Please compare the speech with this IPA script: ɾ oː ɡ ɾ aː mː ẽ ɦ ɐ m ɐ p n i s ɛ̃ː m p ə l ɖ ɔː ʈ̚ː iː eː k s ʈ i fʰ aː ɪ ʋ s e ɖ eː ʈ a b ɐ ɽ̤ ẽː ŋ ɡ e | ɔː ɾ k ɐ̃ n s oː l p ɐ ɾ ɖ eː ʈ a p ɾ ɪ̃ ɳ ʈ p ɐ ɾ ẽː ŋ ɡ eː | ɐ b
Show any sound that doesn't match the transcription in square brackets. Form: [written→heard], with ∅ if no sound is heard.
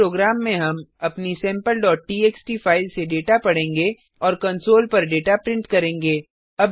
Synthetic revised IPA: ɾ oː ɡ ɾ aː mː ẽ ɦ ɐ m ɐ p n i s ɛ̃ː m p ə l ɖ ɔː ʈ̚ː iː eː k s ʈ i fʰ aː ɪ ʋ s e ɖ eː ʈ a [b→p] ɐ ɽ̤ ẽː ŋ ɡ e | ɔː ɾ k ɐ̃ n s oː l p ɐ ɾ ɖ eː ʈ a p ɾ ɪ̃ ɳ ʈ [p→k] ɐ ɾ ẽː ŋ ɡ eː | ɐ b

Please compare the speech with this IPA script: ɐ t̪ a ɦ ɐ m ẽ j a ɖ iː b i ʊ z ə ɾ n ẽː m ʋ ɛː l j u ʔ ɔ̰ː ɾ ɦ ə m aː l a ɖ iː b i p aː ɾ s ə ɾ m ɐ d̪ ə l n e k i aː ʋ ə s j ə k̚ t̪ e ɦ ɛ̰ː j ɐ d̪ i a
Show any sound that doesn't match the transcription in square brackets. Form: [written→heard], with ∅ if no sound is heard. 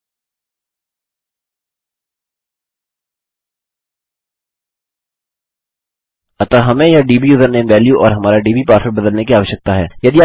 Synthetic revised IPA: ɐ t̪ a ɦ ɐ m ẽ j a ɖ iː b i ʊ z ə ɾ n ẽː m ʋ ɛː l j u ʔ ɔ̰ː ɾ ɦ [ə→ɐ] m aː [l→ɾ] a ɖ iː b i p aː ɾ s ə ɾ [m→b] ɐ d̪ ə l n e k i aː ʋ ə [s→ʃ] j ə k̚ t̪ [e→a] ɦ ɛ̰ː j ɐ d̪ i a

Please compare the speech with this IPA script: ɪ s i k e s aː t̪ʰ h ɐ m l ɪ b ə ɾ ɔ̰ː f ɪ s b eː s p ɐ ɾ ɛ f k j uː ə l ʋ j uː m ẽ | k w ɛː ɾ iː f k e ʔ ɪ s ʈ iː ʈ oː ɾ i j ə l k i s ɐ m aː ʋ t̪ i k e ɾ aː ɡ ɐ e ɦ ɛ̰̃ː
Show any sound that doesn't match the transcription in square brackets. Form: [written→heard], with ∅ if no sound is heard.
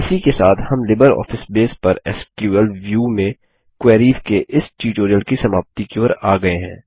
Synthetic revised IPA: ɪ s i k e s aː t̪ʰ h ɐ m l ɪ b ə ɾ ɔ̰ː f ɪ s b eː s p ɐ ɾ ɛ [f→s] k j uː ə l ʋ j uː m ẽ | k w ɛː ɾ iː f k e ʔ ɪ s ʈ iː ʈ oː ɾ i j ə l k i s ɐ m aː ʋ t̪ i k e ɾ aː ɡ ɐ e ɦ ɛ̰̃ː

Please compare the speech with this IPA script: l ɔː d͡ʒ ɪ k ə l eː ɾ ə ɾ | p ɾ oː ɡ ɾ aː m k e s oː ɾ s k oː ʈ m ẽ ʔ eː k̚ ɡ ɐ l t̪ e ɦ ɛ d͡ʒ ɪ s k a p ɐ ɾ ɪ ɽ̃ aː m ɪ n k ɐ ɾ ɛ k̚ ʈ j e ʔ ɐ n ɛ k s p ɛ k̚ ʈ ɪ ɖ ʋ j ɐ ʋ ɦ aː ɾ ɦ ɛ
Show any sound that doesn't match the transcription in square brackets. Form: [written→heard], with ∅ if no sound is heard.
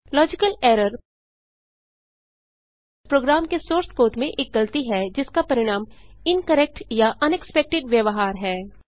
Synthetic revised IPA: l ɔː d͡ʒ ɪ k ə l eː ɾ ə ɾ | p ɾ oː ɡ ɾ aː m k e s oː ɾ s k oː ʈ m ẽ ʔ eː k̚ ɡ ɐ l t̪ [e→i] ɦ ɛ d͡ʒ ɪ s k a p ɐ ɾ ɪ ɽ̃ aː m ɪ n k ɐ ɾ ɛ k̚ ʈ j [e→a] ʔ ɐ n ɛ k s p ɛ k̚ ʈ ɪ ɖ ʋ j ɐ ʋ ɦ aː ɾ ɦ [ɛ→ɛː]

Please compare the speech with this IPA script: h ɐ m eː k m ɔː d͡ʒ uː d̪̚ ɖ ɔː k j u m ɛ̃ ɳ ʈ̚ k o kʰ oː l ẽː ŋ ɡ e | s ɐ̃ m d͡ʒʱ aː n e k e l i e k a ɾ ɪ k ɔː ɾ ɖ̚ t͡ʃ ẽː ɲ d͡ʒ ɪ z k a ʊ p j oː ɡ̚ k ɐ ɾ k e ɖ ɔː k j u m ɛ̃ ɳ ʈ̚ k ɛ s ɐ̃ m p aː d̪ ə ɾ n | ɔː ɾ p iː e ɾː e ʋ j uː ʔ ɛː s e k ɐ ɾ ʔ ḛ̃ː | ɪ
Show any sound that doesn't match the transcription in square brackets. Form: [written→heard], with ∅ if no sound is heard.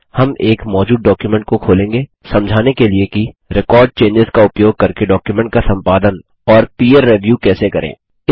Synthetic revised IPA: h ɐ m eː k m ɔː d͡ʒ uː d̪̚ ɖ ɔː k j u m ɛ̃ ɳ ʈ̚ k o kʰ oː l ẽː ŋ ɡ e | s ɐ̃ m d͡ʒʱ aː n e k e l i e k [a→i] ɾ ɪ k ɔː ɾ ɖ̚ t͡ʃ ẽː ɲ d͡ʒ ɪ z k a ʊ p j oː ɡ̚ k ɐ ɾ k e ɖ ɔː k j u m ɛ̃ ɳ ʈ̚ k [ɛ→a] s ɐ̃ m p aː d̪ ə [ɾ→∅] n | ɔː ɾ p iː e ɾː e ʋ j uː [ʔ→k] ɛː s e k ɐ ɾ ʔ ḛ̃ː | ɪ

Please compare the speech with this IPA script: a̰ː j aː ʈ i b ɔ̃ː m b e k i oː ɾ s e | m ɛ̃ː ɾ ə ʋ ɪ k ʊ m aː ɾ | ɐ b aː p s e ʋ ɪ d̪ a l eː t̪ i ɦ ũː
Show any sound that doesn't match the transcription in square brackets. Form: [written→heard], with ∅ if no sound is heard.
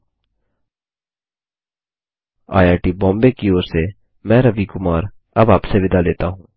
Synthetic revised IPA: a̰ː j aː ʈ i b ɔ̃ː m b e k i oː ɾ s e | m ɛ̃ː ɾ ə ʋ [ɪ→i] k ʊ m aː ɾ | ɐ b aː p s e ʋ ɪ d̪ a l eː t̪ [i→a] ɦ ũː

